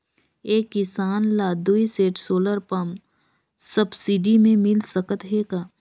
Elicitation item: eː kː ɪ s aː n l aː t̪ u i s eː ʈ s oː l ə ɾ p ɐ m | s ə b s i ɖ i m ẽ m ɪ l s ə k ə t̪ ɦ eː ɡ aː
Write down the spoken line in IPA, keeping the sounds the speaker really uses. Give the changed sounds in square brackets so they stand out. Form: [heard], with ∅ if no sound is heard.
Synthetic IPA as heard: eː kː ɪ s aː n l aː [d̪] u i s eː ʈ s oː l ə ɾ p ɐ m | s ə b s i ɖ i m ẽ m ɪ l s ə k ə t̪ ɦ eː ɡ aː